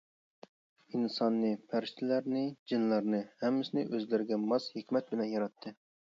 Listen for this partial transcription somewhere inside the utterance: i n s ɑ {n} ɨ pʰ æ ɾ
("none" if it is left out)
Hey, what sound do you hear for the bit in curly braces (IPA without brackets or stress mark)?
nː